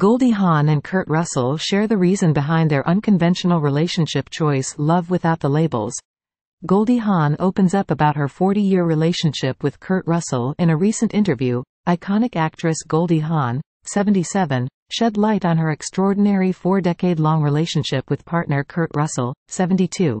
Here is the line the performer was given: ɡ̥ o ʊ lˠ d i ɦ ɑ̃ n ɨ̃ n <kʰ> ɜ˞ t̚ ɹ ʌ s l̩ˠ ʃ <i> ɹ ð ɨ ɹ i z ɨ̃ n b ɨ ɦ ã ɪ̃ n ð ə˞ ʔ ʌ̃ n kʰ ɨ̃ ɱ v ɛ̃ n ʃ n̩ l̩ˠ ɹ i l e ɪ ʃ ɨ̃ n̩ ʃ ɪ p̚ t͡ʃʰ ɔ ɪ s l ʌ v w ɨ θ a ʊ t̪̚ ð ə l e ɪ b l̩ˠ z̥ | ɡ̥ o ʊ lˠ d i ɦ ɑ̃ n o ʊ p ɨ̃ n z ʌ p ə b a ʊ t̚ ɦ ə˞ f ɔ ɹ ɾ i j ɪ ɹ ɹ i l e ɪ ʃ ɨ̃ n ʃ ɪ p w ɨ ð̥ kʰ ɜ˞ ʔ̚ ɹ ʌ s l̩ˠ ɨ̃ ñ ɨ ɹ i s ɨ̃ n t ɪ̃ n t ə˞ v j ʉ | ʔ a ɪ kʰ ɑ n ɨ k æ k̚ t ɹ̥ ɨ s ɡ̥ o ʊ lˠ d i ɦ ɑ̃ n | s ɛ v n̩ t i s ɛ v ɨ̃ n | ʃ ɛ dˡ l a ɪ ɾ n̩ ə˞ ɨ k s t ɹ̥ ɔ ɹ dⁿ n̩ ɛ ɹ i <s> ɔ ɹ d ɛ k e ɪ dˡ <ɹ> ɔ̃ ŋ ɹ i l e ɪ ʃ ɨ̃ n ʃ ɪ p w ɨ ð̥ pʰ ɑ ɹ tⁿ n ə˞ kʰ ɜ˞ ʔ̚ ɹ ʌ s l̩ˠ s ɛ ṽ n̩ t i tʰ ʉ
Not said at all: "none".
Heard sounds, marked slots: kʰ, ɛ, f, l

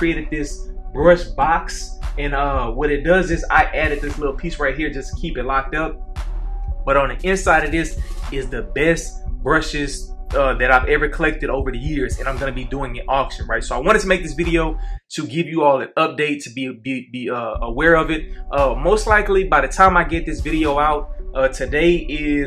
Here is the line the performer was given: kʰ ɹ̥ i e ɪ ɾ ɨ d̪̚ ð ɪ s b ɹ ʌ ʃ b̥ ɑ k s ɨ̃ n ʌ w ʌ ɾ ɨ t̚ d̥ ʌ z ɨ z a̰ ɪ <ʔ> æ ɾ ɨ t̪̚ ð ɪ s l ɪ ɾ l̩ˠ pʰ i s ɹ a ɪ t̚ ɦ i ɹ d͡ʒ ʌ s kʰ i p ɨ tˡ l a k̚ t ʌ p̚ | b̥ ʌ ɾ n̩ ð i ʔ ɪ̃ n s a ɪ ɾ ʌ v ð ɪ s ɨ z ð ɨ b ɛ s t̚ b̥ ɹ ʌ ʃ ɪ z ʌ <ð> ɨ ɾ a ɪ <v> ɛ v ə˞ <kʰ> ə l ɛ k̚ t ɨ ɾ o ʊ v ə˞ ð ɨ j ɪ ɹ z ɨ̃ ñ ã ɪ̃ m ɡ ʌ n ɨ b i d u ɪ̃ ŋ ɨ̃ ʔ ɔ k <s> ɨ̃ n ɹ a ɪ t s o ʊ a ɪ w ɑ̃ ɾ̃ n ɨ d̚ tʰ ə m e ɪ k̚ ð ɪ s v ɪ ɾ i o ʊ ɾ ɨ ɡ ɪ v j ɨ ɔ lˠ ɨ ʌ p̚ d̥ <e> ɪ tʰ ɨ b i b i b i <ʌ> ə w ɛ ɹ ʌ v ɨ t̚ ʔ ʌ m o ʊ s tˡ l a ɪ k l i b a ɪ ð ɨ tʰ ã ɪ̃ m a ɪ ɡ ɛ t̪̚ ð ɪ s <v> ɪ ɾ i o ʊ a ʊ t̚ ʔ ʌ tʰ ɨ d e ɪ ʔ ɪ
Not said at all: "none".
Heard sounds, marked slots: ʔ, ð, v, kʰ, ʃ, e, ʌ, v

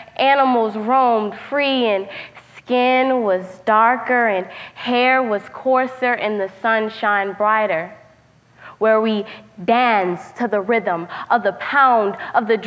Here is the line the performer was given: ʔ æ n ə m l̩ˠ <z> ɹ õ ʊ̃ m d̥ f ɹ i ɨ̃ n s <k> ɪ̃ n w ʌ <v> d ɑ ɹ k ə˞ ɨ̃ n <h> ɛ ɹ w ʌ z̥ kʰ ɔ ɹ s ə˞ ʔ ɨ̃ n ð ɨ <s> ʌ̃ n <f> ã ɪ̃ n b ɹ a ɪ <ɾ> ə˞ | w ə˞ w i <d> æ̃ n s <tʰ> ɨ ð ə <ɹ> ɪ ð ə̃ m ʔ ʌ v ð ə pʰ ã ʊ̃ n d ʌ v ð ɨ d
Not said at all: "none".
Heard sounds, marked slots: z, k, z, h, s, ʃ, ɾ, d, tʰ, ɹ

